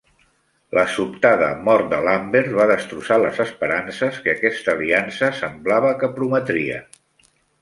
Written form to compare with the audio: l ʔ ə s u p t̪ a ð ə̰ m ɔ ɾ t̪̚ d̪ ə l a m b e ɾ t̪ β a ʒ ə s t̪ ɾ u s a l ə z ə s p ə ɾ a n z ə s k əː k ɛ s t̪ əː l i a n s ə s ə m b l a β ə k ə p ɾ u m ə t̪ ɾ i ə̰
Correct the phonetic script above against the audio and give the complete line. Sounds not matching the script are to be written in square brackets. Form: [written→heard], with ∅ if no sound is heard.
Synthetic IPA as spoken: l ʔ ə s u p t̪ a ð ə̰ m ɔ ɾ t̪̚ d̪ ə l a m b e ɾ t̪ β a [ʒ→ð] ə s t̪ ɾ u s a l ə z ə s p ə ɾ a n [z→s] ə s k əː k ɛ s t̪ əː l i a n s ə s ə m b l a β ə k ə p ɾ u m ə t̪ ɾ i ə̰